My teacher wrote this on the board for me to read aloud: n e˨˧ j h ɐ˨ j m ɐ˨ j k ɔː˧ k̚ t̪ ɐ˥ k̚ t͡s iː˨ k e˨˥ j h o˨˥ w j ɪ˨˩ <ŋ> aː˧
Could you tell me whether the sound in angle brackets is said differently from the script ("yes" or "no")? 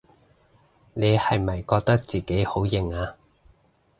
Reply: no